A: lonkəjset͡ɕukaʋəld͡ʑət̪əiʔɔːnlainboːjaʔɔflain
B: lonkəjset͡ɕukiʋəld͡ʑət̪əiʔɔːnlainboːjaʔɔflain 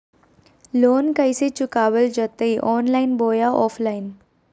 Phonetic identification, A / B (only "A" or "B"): A